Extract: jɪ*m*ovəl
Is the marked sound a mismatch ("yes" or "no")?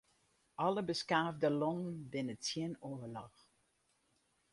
yes